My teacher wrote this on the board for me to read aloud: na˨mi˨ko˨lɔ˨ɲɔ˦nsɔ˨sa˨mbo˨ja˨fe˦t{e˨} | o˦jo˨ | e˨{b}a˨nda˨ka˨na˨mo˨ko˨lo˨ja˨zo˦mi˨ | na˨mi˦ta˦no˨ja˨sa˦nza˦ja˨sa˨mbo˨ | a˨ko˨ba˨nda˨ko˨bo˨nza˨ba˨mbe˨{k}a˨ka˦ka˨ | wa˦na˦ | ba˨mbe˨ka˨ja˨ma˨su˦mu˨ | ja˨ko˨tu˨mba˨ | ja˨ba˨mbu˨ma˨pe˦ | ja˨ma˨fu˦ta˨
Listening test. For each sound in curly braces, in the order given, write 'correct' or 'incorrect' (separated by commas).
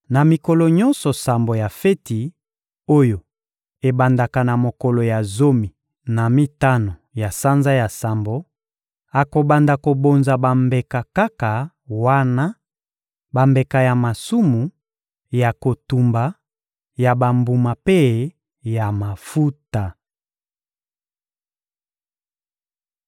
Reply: incorrect, correct, correct